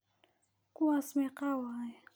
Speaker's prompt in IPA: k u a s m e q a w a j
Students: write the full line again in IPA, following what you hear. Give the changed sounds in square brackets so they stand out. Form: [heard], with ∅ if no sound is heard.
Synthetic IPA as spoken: k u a s m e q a w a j